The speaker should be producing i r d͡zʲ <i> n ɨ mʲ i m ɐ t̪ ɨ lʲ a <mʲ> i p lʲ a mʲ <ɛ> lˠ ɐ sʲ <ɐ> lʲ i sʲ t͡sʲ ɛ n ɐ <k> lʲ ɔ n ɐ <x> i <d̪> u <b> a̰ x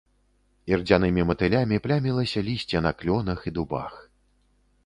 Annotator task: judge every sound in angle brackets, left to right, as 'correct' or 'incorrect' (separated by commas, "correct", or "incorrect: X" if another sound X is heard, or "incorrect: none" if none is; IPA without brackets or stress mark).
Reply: incorrect: a, correct, incorrect: i, correct, correct, correct, correct, correct